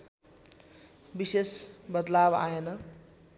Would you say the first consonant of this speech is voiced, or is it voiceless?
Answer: voiced